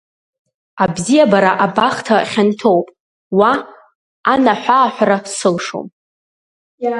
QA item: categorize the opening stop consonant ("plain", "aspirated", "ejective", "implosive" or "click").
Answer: plain